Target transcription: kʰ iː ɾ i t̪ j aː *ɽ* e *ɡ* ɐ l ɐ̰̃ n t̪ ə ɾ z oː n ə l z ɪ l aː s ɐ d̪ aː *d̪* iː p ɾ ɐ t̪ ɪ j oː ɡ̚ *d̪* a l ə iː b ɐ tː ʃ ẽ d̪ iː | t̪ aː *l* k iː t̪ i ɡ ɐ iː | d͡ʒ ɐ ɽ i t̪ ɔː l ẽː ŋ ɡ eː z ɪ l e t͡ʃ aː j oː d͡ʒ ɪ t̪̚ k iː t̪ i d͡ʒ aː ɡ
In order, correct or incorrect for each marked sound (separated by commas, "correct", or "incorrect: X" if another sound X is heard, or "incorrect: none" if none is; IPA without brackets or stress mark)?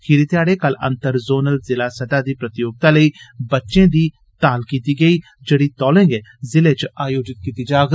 correct, incorrect: k, correct, incorrect: t̪, correct